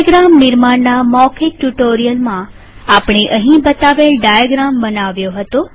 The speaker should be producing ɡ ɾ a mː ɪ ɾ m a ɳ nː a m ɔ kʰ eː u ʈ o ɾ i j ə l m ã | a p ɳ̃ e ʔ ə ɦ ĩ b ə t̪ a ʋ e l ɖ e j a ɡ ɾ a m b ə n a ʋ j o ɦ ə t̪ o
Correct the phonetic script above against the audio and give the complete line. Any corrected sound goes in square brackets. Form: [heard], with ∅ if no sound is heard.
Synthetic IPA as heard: ɡ ɾ a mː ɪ ɾ m a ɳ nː a m ɔ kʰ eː u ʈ o ɾ i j ə l m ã | a p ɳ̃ e ʔ ə ɦ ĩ b ə t̪ a ʋ e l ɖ [a] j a ɡ ɾ a m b ə n a ʋ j o ɦ ə t̪ o